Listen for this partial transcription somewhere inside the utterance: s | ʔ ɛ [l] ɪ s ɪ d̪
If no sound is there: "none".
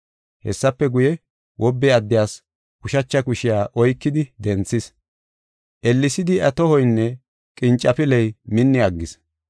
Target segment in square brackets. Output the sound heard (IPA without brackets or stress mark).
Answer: lː